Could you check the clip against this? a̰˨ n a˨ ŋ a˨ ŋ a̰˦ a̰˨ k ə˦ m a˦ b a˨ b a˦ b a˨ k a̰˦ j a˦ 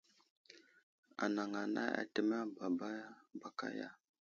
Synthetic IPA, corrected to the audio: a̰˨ n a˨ ŋ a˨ n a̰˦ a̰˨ t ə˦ m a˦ b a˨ b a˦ b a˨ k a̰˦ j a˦